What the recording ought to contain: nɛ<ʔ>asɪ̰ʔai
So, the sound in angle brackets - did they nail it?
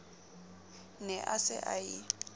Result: yes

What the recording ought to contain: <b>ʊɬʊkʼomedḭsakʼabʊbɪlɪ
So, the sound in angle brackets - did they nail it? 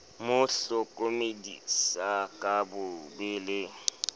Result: no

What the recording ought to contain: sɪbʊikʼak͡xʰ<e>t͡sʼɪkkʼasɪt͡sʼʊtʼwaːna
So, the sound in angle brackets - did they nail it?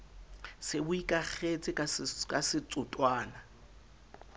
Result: yes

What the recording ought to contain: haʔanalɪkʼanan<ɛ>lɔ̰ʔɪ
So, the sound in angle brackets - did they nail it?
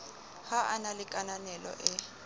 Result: yes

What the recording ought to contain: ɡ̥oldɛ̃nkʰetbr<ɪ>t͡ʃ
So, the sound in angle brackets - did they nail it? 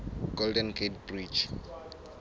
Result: no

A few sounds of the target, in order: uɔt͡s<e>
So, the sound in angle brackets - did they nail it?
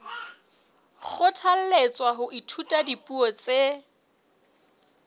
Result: yes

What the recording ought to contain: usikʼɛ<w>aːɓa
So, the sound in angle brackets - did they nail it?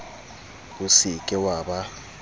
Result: yes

